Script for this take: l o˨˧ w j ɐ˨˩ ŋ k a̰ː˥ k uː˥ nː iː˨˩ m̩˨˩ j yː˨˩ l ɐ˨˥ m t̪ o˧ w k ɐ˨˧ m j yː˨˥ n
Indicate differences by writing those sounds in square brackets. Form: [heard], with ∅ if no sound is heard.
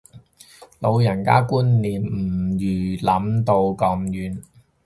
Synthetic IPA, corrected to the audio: l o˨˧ w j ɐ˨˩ [n] k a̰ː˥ k uː˥ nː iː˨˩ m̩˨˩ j yː˨˩ l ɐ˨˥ m t̪ o˧ w k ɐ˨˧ m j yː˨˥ n